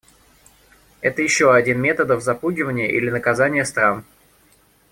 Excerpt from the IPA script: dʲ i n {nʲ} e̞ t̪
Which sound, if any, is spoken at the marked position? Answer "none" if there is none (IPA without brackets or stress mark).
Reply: mʲ